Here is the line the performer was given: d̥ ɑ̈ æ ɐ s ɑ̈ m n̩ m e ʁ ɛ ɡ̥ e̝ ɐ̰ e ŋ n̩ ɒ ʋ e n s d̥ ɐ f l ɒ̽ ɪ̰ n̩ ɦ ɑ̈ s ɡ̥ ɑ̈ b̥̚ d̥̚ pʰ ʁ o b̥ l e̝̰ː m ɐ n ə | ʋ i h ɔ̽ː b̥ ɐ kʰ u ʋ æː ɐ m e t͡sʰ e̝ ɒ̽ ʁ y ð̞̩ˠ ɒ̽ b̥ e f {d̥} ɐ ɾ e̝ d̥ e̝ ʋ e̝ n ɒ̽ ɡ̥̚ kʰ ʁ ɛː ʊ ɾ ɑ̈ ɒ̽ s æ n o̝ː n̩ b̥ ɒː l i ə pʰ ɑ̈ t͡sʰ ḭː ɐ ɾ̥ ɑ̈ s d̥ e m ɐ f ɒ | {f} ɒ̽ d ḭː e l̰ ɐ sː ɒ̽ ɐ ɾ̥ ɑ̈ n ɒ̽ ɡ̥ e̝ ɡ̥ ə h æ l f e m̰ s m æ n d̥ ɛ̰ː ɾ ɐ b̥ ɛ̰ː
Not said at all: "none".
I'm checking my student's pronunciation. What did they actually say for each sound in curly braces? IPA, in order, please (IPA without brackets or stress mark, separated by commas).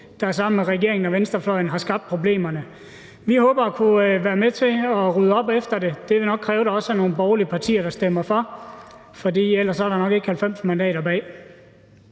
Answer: d̥, f